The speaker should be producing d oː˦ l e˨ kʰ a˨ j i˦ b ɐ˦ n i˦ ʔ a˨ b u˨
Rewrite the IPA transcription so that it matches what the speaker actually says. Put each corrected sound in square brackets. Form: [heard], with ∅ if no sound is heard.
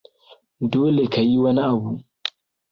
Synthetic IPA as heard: d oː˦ l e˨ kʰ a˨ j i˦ [w] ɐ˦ n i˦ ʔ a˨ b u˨